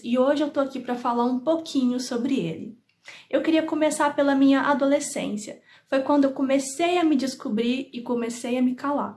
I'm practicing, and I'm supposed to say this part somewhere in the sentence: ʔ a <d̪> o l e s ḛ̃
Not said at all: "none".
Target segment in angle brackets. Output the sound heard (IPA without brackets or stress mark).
d̪